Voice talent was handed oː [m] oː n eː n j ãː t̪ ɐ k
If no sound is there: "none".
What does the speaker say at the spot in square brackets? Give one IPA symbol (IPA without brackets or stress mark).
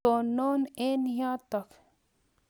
n